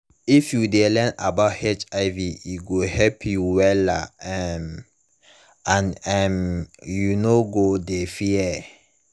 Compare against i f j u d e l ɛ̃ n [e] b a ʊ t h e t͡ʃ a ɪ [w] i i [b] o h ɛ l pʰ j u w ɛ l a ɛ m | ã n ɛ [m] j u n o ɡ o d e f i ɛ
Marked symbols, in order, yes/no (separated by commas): no, no, no, yes